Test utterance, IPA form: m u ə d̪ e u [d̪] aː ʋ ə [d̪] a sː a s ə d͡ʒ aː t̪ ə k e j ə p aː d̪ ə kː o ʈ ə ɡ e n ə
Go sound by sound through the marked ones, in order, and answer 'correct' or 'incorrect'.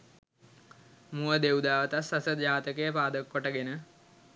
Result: correct, incorrect: t̪

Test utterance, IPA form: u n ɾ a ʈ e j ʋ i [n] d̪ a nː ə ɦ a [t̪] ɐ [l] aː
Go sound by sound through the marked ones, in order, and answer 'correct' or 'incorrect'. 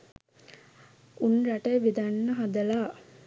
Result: incorrect: none, incorrect: d̪, correct

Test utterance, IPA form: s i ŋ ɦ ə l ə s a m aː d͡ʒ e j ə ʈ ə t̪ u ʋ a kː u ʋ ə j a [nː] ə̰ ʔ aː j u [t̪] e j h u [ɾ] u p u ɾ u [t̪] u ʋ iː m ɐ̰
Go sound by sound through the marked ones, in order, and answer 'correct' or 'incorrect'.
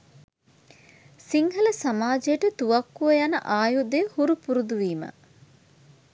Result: incorrect: n, incorrect: d̪, correct, incorrect: d̪

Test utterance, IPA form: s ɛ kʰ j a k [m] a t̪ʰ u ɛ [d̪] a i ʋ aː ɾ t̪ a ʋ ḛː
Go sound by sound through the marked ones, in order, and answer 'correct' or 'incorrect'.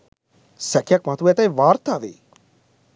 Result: correct, incorrect: t̪

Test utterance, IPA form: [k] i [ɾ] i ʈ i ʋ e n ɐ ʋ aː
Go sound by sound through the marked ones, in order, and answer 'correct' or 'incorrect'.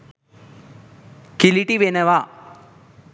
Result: correct, incorrect: l

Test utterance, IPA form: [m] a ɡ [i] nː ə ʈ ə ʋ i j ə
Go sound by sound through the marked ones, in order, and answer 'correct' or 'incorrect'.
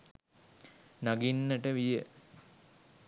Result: incorrect: n, correct

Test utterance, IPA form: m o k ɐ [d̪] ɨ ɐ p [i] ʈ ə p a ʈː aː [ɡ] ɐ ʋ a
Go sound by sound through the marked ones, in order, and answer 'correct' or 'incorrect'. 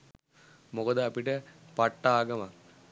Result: correct, correct, correct

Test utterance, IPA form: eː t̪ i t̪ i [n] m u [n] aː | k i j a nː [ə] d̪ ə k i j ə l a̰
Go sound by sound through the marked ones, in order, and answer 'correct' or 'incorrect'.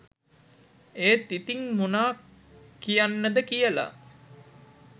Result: incorrect: ŋ, correct, correct

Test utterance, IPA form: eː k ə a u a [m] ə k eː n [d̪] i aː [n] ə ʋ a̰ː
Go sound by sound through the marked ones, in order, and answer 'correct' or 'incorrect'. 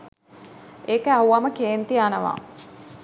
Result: correct, incorrect: t̪, correct

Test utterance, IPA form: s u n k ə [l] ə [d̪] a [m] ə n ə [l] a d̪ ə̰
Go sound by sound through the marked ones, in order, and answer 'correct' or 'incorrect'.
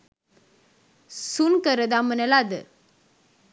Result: incorrect: ɾ, correct, correct, correct

